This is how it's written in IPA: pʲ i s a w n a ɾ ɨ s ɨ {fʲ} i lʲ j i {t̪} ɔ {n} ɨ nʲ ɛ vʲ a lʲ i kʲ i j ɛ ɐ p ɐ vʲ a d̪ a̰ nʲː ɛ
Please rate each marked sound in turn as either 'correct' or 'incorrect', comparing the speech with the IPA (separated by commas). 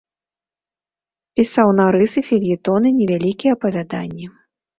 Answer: correct, correct, correct